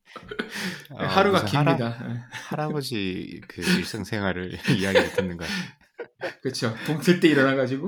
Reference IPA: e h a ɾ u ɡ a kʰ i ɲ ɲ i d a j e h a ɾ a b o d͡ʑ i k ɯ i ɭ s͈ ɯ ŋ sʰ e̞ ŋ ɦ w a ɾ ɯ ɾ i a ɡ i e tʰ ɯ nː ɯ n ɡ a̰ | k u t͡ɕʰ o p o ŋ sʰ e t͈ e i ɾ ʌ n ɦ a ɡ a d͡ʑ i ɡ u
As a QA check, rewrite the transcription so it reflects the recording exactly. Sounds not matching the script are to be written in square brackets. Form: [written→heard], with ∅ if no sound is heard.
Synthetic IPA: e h a ɾ u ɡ a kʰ i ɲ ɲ i d a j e h a ɾ a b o d͡ʑ i k ɯ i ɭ s͈ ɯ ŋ sʰ e̞ ŋ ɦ w a ɾ ɯ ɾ i a ɡ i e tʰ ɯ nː ɯ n ɡ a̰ | k [u→ɯ] t͡ɕʰ o p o ŋ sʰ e t͈ e i ɾ ʌ n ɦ a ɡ a d͡ʑ i ɡ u